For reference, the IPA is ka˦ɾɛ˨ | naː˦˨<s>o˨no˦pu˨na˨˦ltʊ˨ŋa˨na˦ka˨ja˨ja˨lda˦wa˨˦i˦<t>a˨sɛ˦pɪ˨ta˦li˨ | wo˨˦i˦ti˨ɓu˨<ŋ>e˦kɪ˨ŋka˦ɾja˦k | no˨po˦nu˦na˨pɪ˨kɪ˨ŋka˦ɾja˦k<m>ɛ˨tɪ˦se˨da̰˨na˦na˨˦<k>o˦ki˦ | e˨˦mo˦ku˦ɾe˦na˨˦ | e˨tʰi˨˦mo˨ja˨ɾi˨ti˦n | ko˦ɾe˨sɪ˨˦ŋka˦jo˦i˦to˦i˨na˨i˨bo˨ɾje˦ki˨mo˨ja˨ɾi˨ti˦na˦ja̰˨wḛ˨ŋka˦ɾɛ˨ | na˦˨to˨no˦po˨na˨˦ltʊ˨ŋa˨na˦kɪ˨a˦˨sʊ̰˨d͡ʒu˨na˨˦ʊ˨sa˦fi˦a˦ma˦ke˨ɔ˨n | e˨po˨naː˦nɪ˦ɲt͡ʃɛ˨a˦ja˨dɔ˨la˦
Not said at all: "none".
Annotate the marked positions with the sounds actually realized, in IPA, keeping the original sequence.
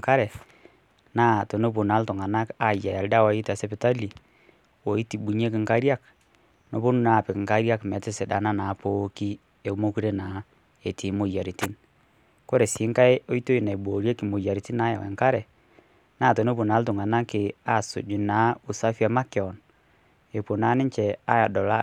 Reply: t, t, ɲ, m, p

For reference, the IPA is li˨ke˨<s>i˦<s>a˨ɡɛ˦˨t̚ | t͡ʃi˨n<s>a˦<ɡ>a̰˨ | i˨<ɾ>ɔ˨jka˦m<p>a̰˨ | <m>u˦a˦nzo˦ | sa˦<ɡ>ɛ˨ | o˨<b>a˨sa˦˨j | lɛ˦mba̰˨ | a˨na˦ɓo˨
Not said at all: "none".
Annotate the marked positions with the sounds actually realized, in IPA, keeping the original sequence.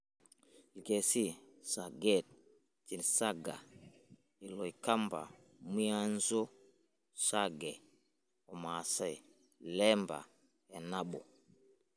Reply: s, s, s, ɡ, l, b, m, ɡ, m

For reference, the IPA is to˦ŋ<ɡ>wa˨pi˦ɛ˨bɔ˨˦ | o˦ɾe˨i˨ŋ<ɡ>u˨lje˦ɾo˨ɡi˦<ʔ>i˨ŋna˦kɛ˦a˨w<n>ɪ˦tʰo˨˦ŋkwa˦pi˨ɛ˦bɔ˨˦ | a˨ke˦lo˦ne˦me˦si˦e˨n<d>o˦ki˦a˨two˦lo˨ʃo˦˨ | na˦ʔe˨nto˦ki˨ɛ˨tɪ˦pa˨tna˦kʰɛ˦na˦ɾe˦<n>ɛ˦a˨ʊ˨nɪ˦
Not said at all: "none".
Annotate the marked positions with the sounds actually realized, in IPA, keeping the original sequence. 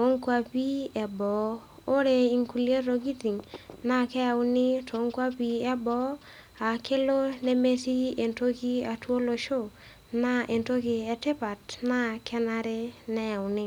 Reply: k, k, t, n, t, n

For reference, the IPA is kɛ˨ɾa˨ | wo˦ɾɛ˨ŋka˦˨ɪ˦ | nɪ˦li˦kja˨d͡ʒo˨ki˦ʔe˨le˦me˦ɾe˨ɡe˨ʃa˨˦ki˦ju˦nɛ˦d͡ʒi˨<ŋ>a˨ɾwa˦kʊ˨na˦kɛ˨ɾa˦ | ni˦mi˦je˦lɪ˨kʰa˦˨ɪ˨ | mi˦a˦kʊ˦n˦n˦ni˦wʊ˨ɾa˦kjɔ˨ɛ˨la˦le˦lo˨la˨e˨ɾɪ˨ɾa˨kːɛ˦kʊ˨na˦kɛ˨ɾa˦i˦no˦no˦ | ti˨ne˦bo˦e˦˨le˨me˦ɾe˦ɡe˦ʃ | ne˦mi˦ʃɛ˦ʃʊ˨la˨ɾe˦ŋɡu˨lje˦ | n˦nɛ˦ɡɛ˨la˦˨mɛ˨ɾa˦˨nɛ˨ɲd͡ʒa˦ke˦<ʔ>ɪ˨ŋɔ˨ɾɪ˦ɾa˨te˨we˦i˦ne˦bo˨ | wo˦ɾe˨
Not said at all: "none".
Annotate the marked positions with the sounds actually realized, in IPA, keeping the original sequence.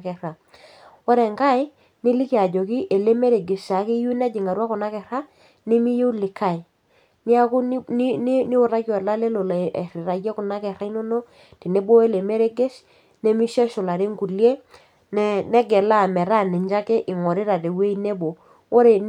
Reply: ŋ, ʔ

